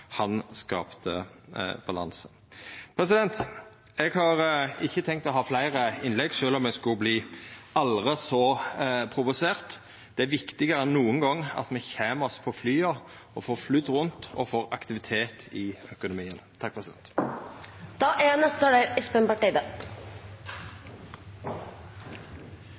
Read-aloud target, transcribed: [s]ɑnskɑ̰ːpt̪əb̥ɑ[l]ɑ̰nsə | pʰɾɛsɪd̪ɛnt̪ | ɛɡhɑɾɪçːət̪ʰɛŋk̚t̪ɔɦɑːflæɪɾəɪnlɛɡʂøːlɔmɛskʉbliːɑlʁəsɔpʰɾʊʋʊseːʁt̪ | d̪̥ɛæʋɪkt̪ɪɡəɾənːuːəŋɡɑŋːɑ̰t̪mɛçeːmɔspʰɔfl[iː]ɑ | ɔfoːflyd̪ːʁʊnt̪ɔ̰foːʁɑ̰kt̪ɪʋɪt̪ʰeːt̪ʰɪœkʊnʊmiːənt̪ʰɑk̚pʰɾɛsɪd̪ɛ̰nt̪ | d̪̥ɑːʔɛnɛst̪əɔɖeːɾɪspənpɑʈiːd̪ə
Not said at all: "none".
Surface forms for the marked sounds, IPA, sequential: h, l, yː

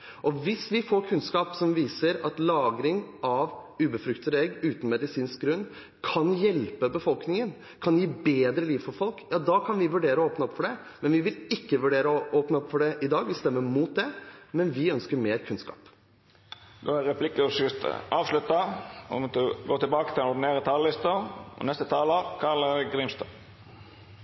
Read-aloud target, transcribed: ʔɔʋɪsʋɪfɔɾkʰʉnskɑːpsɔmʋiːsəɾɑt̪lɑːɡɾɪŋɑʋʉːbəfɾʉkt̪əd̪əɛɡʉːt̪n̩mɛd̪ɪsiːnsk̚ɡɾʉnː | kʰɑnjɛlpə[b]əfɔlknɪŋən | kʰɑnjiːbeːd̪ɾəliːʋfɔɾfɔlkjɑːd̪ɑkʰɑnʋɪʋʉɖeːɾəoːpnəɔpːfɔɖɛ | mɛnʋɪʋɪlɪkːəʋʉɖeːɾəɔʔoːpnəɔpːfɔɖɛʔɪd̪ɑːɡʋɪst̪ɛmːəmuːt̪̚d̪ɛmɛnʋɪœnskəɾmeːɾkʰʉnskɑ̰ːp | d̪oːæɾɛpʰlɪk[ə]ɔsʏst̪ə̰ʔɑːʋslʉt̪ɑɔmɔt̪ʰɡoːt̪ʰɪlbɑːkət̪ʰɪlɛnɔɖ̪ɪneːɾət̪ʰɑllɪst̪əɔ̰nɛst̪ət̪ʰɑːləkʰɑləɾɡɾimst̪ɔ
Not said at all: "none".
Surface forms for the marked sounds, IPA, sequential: b, ə

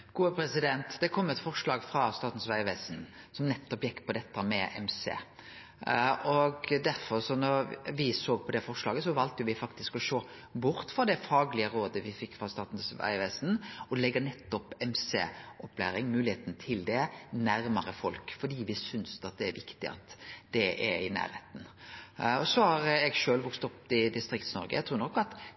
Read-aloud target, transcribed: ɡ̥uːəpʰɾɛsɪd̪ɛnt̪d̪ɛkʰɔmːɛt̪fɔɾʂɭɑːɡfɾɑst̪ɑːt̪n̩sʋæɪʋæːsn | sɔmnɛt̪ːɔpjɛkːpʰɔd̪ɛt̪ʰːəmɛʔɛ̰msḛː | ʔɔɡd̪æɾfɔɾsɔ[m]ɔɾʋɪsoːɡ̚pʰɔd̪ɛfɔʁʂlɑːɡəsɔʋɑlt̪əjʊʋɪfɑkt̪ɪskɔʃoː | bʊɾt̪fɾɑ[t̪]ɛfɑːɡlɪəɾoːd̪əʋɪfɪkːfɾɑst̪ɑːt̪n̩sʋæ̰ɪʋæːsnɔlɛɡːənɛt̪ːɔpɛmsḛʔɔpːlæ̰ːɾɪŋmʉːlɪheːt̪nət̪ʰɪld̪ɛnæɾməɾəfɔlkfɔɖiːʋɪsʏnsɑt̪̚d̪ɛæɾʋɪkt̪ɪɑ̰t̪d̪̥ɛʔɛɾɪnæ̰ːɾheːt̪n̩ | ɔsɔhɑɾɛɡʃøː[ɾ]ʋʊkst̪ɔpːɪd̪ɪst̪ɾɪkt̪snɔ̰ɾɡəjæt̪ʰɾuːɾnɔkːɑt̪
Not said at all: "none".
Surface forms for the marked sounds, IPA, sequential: n, d̪, l

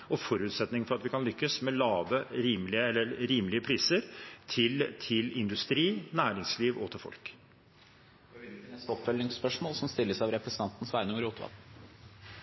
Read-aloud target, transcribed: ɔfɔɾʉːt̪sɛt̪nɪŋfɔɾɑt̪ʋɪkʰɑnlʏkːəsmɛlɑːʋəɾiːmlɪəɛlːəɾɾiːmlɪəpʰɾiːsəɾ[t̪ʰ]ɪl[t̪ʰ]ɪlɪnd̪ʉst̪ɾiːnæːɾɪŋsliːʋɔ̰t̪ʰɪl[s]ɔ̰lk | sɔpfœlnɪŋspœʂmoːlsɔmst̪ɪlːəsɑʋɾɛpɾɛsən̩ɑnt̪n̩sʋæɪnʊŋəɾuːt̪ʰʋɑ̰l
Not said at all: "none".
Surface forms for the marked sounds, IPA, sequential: t̪ʰ, t̪ʰ, f

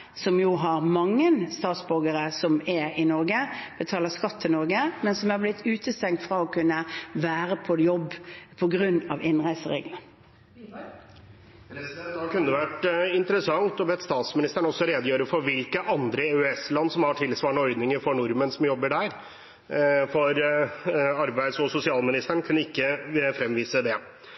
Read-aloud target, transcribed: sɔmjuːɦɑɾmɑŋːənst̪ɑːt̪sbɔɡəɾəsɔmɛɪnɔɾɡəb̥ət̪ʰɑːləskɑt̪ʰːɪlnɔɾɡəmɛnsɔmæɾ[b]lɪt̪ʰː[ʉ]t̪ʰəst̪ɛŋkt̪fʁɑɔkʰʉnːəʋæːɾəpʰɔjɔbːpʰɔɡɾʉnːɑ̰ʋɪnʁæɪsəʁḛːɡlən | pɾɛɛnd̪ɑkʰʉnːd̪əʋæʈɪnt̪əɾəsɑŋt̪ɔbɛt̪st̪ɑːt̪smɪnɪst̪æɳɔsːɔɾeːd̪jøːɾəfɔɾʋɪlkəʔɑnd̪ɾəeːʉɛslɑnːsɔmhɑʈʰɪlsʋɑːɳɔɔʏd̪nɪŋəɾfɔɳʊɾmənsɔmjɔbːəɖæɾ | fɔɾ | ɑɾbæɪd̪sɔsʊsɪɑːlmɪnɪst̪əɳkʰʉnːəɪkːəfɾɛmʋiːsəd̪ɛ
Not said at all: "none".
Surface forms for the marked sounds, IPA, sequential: b, ʉː

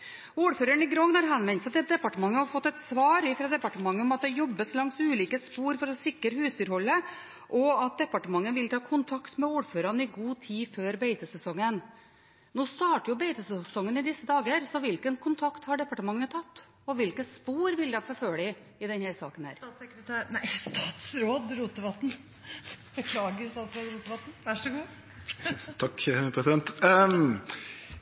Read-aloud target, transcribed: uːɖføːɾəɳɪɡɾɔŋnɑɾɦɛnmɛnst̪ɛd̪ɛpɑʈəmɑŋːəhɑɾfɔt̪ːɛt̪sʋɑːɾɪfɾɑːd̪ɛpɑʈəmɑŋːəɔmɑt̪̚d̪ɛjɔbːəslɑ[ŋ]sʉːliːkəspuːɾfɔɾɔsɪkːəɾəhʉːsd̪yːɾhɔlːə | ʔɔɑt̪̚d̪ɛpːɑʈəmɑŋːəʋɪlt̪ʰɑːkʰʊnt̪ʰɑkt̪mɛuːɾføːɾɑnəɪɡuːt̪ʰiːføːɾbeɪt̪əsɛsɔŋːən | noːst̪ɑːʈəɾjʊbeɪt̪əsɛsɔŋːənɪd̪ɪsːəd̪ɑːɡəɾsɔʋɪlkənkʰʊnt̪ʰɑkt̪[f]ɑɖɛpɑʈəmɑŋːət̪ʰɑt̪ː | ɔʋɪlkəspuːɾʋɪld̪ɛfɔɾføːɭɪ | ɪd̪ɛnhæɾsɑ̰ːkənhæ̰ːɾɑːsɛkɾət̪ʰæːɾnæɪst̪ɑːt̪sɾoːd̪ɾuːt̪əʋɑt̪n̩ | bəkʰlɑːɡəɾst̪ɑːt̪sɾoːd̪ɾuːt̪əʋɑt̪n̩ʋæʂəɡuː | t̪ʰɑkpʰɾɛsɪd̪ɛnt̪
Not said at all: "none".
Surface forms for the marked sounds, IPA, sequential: ŋ, h

